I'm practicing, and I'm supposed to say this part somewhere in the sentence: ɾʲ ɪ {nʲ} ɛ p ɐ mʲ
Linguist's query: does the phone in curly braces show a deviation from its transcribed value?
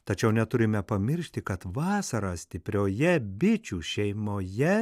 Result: yes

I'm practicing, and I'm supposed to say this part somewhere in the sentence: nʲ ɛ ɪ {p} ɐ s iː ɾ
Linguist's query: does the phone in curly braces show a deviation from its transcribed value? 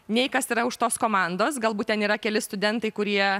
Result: yes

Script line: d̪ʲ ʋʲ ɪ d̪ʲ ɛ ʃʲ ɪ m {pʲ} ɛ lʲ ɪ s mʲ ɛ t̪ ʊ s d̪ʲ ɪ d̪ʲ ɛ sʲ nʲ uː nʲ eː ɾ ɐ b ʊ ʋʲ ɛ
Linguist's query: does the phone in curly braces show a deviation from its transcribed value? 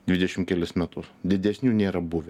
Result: yes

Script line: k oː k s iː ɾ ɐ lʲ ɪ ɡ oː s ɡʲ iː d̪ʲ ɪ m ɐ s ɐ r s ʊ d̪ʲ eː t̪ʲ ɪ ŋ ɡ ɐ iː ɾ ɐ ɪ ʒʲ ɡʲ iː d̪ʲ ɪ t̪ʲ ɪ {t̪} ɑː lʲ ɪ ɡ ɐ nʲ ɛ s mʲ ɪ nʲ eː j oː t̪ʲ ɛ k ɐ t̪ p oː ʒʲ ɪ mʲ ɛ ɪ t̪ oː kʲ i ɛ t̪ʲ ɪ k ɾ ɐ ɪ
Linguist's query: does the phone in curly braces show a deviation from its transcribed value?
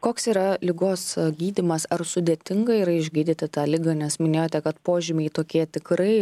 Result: no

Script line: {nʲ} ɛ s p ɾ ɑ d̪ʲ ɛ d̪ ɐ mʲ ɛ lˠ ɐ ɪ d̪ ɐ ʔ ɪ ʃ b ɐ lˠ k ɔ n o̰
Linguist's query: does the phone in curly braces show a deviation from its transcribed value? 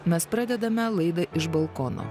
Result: yes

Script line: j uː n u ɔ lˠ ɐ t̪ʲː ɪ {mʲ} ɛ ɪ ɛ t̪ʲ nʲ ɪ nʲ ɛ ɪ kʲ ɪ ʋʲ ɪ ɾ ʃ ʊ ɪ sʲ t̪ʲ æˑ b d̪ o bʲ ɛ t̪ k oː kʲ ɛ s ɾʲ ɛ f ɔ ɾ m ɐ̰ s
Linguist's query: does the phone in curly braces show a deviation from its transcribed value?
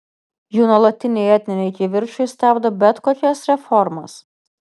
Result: yes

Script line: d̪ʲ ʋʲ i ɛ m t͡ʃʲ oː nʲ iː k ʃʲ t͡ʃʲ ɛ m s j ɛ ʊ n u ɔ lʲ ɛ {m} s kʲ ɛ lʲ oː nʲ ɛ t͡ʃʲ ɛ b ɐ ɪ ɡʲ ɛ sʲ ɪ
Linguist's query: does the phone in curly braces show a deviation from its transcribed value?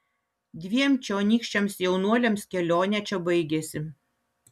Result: no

